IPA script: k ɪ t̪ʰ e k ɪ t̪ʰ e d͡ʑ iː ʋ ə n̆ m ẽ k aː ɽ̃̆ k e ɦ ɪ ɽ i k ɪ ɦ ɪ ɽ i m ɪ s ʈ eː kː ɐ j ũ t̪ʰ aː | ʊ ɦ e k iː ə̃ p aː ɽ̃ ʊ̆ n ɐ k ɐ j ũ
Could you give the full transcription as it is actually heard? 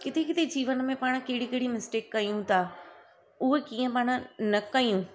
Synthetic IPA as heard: k ɪ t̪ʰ e k ɪ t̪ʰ e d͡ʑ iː ʋ ə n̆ m ẽ p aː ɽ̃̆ k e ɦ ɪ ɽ i k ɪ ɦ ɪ ɽ i m ɪ s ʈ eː kː ɐ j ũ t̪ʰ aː | ʊ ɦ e k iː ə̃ p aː ɽ̃ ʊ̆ n ɐ k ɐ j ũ